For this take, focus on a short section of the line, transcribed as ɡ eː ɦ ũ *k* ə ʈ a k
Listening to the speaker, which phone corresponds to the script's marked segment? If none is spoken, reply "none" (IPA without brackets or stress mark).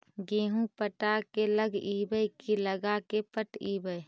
p